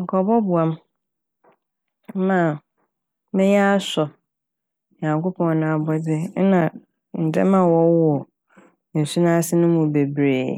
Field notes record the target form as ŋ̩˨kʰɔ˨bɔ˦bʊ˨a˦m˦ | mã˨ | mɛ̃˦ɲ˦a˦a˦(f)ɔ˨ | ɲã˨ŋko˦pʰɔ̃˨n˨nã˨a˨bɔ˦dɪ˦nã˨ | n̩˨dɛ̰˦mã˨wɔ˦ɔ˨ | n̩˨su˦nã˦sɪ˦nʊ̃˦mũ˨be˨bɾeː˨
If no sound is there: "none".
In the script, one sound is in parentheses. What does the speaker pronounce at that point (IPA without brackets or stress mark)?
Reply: s